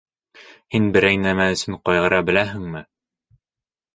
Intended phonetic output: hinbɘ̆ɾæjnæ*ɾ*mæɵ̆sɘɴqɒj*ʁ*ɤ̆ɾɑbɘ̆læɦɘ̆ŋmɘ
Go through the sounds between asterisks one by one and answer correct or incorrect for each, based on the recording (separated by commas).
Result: incorrect, correct